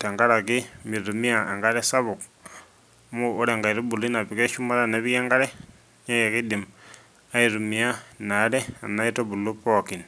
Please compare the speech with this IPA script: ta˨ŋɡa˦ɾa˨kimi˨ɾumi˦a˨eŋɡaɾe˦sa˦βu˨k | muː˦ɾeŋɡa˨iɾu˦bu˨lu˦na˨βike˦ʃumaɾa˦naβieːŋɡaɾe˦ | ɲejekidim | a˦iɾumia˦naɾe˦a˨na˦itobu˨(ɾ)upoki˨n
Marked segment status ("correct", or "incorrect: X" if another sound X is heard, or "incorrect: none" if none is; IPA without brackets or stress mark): incorrect: l